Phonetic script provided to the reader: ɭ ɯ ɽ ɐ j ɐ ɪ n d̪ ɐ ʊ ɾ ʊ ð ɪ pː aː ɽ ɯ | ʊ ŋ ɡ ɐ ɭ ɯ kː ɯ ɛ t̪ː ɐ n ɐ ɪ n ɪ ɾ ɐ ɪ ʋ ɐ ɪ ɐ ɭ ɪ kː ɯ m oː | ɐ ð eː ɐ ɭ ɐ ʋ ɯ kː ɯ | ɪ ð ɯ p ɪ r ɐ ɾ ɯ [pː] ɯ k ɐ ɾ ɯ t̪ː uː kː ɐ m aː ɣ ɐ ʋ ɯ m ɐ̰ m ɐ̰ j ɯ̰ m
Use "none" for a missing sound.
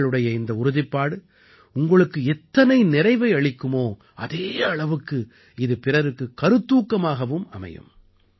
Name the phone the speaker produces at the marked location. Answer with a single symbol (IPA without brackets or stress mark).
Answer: kː